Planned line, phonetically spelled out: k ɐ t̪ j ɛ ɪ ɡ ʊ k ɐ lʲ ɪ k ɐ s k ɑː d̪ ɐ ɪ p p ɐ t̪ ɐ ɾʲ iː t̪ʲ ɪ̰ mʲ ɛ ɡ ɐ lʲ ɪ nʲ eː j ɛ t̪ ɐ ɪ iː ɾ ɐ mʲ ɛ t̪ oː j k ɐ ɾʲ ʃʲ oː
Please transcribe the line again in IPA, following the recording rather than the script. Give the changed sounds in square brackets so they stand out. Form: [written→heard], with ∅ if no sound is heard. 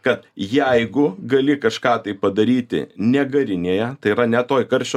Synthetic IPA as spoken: k ɐ t̪ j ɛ ɪ ɡ ʊ [k→ɡ] ɐ lʲ ɪ k ɐ [s→ʃ] k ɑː [d̪→t̪] ɐ ɪ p p ɐ [t̪→d̪] ɐ ɾʲ iː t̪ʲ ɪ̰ [mʲ→nʲ] ɛ ɡ ɐ [lʲ→ɾʲ] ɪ nʲ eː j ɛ t̪ ɐ ɪ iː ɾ ɐ [mʲ→nʲ] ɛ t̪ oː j k ɐ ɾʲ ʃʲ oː